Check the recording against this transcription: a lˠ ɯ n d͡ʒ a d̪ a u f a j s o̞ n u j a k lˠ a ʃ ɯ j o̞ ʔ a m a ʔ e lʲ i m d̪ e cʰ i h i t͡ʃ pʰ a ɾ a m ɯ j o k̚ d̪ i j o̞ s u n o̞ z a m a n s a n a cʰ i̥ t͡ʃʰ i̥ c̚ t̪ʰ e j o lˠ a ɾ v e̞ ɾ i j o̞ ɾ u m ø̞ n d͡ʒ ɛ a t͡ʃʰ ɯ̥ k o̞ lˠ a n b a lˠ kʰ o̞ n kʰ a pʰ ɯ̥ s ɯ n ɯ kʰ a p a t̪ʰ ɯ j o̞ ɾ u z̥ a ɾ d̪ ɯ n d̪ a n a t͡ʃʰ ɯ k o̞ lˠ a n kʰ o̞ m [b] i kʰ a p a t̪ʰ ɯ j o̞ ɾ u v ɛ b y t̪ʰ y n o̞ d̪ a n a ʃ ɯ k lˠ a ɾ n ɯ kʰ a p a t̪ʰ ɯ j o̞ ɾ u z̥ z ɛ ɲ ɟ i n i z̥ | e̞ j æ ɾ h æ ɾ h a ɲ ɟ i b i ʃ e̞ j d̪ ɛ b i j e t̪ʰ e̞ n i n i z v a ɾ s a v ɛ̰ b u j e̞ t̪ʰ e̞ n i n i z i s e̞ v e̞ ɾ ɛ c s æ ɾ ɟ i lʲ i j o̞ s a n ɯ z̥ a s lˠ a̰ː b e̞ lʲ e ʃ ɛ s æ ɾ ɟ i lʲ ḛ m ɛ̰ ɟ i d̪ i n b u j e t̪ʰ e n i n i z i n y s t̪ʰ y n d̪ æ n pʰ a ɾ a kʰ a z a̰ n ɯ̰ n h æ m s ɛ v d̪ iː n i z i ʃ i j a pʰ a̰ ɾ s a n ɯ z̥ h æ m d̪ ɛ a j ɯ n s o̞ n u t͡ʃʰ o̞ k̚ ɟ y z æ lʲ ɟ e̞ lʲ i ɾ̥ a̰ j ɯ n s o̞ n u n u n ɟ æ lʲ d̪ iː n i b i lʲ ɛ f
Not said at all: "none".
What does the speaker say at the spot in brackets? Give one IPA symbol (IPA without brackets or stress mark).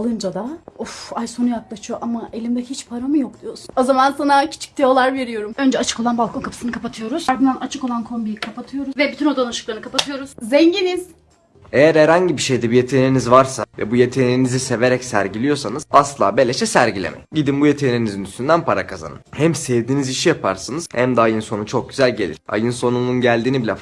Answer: b